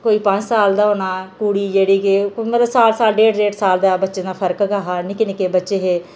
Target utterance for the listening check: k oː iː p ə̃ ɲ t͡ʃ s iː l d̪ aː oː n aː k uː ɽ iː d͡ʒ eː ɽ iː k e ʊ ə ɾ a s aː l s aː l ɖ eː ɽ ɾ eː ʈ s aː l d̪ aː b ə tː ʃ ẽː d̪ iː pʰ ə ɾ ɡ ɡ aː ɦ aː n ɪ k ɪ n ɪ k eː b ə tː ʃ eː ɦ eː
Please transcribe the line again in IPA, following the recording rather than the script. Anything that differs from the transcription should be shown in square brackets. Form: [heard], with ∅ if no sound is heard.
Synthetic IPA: k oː iː p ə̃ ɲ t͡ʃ s [aː] l d̪ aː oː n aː k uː ɽ iː d͡ʒ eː ɽ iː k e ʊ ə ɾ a s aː l s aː l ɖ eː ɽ ɾ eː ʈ s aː l d̪ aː b ə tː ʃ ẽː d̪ [aː] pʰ ə ɾ [k] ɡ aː ɦ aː n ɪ k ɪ n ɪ k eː b ə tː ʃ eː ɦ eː